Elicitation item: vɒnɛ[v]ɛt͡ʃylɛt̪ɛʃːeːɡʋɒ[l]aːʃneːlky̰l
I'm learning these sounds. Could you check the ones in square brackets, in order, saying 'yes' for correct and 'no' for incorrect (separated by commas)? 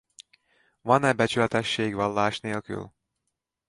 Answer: no, no